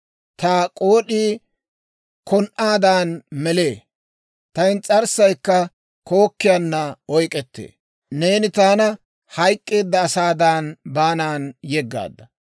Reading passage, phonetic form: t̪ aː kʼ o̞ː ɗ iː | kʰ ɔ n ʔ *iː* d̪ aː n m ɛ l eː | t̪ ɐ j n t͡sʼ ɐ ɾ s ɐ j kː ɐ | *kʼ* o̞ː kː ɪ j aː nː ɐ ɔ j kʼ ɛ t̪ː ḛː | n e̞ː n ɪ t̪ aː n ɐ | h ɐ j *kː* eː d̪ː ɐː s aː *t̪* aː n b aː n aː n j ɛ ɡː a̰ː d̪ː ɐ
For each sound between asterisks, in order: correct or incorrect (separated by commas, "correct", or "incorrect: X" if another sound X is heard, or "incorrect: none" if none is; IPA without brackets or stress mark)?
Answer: incorrect: aː, incorrect: k, incorrect: kʼː, incorrect: d̪